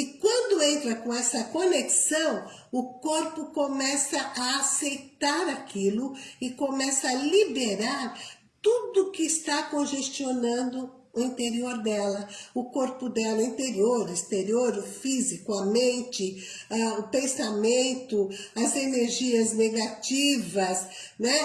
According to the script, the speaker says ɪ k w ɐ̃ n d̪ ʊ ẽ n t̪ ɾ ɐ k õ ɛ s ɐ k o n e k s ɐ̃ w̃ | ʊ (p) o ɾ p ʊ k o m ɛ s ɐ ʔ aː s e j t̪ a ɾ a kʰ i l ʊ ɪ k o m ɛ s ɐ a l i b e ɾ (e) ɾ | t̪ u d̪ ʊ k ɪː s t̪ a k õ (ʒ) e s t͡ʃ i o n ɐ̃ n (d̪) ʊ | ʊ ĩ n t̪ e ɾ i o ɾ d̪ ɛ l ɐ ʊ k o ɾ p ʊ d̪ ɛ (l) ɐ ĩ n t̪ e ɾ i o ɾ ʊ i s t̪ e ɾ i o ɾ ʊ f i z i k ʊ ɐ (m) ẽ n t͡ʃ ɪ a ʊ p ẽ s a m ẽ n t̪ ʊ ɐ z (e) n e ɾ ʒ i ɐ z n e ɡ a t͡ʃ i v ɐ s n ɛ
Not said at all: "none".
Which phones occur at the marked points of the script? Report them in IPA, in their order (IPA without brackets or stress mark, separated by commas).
k, a, ʒ, d̪, l, m, e